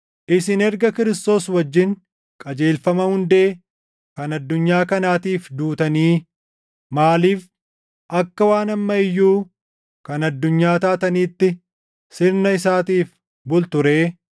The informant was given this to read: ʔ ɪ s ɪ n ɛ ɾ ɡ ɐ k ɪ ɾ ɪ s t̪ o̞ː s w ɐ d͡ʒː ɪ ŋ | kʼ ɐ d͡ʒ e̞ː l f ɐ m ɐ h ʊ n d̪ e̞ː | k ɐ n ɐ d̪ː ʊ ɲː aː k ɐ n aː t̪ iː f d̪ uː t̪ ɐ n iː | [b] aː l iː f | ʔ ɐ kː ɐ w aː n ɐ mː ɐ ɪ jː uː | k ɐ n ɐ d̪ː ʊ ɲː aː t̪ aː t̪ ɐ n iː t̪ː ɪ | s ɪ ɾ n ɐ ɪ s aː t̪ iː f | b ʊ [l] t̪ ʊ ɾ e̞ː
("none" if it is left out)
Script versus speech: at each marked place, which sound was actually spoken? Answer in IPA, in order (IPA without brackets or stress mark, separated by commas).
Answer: m, l